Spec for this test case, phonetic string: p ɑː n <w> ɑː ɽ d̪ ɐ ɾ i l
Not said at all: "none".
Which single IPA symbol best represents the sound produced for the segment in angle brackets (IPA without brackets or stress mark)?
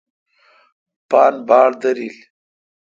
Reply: b